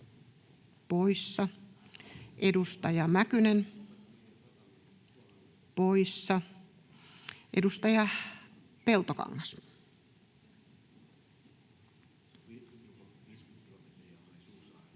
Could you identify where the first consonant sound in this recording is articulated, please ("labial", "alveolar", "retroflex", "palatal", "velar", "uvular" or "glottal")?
labial